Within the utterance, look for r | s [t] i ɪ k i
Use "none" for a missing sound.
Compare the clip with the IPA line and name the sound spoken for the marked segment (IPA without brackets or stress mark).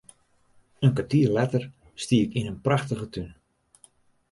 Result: t